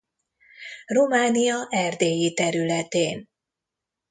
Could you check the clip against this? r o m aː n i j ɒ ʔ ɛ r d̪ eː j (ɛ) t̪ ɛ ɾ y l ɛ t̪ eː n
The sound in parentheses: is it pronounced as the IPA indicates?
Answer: no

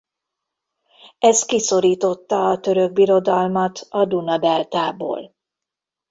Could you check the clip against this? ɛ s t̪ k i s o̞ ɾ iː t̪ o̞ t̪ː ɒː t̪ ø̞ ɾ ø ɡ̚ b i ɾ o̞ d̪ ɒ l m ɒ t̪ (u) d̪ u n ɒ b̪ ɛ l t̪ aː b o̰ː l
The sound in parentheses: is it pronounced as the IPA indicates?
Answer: no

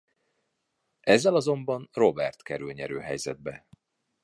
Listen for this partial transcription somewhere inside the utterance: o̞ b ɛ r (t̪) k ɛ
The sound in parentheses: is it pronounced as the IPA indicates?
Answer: yes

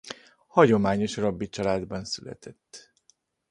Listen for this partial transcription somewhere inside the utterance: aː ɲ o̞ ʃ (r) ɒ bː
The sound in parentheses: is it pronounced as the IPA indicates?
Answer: yes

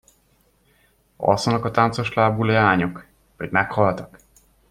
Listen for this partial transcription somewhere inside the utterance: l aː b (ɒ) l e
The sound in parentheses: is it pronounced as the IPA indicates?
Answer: no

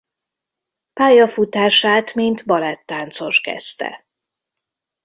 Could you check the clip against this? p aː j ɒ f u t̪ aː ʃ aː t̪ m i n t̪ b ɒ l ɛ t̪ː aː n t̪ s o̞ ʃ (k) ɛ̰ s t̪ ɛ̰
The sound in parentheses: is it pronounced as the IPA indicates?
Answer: yes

